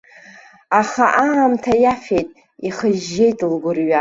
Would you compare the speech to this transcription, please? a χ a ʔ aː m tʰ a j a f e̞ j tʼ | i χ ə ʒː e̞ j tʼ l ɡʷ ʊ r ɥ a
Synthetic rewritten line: a χ a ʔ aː m tʰ a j a f e̞ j tʼ | i χ ə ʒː e̞ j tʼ l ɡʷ ʊ r ɥ a